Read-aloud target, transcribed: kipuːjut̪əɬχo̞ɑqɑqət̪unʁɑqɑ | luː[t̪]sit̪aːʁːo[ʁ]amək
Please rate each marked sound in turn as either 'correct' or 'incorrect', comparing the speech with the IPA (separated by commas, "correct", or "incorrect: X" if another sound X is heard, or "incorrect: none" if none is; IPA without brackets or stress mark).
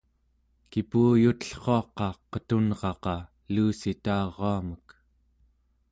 incorrect: none, incorrect: none